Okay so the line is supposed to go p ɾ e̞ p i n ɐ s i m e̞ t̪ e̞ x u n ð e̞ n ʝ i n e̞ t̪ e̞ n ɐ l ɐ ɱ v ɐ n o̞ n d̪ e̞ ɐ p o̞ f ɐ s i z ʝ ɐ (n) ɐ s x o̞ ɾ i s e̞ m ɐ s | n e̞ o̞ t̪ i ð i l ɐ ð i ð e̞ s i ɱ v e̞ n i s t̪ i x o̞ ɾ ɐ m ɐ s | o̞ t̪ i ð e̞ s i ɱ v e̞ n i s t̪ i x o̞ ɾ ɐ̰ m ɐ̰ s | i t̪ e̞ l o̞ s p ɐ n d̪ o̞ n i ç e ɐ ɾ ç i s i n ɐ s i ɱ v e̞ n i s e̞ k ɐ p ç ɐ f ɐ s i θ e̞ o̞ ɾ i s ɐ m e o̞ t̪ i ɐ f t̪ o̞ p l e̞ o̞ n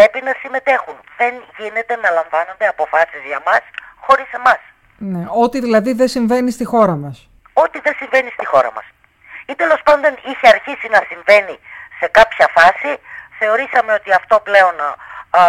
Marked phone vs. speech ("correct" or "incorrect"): incorrect